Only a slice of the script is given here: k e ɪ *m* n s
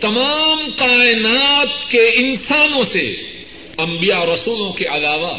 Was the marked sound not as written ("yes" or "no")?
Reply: yes